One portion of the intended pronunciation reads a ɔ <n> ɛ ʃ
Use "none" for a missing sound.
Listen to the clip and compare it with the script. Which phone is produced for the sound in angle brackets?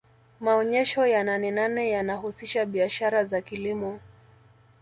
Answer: ɲ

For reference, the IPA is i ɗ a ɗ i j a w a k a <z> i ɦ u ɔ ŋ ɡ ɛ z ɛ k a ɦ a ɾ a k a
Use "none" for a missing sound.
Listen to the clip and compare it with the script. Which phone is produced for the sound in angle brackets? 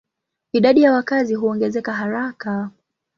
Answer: z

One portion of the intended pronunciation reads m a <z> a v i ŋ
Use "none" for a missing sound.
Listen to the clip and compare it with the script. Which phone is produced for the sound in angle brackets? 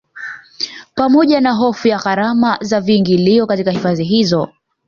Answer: z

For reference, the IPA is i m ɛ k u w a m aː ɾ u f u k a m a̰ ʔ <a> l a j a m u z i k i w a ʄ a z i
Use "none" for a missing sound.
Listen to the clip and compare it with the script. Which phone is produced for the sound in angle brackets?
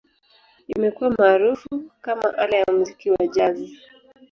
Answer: a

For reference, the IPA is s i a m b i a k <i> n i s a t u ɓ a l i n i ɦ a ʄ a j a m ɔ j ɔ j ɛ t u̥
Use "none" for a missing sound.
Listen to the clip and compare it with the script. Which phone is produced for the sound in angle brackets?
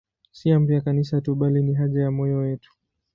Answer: a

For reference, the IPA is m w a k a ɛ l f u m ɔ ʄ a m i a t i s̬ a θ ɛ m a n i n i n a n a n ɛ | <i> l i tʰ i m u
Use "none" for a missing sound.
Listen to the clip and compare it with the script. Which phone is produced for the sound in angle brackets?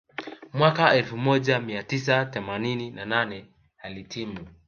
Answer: a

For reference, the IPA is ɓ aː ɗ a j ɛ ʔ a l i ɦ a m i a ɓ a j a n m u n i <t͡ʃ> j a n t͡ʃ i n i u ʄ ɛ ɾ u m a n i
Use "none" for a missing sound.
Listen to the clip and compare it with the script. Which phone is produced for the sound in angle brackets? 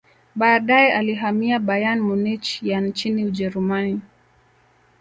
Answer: t͡ʃ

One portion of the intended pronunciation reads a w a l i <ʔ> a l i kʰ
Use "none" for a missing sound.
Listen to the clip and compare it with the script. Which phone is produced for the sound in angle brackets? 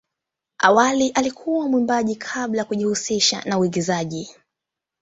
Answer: ʔ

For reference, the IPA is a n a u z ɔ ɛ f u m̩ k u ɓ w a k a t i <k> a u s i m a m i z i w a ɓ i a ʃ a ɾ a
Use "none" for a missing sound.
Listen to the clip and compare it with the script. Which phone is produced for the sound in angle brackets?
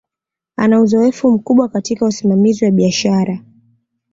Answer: k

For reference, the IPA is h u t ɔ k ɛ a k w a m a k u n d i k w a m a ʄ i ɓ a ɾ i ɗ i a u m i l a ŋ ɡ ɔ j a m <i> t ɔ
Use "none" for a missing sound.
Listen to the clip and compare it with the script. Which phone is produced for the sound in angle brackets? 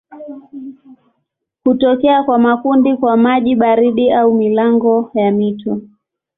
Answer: i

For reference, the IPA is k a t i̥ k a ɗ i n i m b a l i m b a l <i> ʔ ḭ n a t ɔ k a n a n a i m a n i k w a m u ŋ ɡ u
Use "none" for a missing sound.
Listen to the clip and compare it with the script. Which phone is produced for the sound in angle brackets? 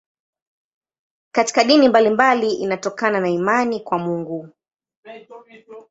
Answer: i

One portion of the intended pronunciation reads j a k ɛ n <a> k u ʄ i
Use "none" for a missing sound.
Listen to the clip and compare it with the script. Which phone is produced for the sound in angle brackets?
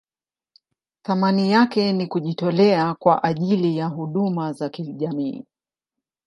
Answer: i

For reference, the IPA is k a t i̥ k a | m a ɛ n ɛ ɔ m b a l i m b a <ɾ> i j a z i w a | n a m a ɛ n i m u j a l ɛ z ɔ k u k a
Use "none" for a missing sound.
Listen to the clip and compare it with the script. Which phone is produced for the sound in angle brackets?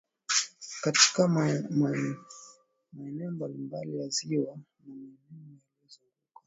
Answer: l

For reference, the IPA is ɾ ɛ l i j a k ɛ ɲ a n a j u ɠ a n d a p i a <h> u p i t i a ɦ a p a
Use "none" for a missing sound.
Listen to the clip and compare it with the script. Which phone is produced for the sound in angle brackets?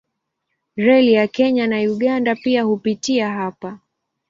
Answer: h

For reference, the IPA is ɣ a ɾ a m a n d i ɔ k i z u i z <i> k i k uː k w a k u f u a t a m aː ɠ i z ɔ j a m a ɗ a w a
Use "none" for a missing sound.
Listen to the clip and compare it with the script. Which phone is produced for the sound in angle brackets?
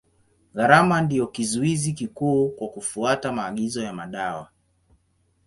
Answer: i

